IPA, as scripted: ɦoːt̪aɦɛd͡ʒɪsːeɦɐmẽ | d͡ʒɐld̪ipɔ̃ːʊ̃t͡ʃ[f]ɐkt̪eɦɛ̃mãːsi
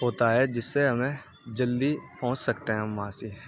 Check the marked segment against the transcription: incorrect: s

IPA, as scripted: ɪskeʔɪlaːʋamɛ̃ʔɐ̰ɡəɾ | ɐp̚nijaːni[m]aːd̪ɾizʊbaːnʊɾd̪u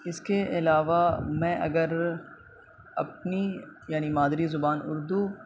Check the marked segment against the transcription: correct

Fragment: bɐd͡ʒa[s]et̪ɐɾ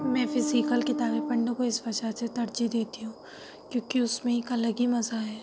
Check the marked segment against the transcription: correct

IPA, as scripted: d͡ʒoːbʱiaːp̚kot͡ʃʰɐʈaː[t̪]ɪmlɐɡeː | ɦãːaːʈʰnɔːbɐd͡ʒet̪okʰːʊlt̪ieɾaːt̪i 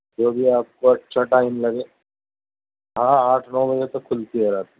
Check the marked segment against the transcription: incorrect: none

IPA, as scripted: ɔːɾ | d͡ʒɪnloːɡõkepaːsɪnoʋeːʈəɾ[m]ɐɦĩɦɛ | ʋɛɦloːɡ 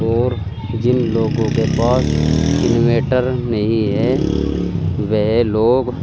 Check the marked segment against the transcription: incorrect: n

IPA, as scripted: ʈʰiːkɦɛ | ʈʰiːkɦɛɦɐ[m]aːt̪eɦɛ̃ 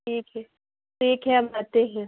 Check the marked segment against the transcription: correct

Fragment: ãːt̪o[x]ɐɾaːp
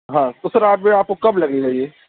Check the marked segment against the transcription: incorrect: s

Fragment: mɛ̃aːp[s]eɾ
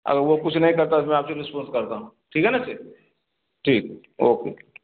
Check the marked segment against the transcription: correct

